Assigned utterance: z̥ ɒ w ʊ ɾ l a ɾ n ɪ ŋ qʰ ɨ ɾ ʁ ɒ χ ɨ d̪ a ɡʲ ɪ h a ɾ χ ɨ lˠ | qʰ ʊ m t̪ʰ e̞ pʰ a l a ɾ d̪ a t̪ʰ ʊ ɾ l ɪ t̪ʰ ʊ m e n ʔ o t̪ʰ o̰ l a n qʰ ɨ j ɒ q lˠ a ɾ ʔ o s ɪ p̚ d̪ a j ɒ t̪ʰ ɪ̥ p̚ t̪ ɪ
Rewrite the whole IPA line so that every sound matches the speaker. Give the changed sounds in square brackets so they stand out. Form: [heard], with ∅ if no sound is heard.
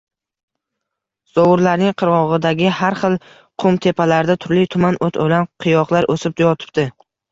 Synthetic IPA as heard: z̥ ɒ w ʊ ɾ l a ɾ n ɪ ŋ qʰ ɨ ɾ ʁ ɒ [ʁ] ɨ d̪ a ɡʲ ɪ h a ɾ χ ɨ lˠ | qʰ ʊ m t̪ʰ e̞ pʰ a l a ɾ d̪ a t̪ʰ ʊ ɾ l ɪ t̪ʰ ʊ m [a] n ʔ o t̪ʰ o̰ l a n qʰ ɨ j ɒ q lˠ a ɾ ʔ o s ɪ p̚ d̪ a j ɒ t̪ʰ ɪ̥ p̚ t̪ ɪ